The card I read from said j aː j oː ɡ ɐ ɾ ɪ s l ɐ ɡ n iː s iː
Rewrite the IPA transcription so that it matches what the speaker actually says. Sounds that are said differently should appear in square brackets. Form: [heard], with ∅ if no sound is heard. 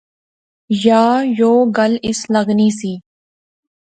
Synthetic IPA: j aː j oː ɡ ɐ [l] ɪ s l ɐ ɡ n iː s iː